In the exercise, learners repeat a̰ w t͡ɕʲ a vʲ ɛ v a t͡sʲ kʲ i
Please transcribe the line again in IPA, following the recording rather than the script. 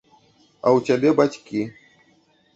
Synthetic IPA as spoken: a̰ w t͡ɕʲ a bʲ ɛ b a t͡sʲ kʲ i